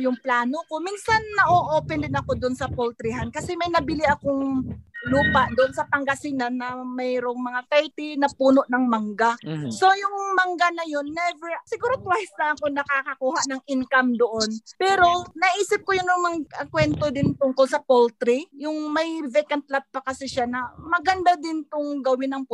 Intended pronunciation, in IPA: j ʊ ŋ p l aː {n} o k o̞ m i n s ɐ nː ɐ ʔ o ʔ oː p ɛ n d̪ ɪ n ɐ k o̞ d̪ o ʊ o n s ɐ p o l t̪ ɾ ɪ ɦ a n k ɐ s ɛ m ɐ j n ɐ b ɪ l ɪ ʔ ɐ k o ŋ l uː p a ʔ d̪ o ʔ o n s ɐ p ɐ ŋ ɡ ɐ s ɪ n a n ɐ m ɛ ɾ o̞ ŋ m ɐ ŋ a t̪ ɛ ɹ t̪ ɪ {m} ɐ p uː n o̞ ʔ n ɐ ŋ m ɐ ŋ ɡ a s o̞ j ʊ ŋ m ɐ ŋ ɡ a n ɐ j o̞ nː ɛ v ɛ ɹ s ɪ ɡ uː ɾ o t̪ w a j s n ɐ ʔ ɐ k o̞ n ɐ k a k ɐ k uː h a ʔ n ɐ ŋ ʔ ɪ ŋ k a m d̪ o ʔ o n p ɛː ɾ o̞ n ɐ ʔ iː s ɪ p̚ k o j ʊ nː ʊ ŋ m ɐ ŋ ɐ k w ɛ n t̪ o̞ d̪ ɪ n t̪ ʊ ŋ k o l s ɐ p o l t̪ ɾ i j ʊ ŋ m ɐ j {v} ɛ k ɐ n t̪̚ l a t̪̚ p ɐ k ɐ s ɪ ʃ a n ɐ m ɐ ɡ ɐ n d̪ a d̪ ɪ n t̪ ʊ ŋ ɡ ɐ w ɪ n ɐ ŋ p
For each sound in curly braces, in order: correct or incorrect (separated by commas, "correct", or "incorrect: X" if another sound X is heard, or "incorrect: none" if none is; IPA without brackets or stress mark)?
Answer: correct, incorrect: n, correct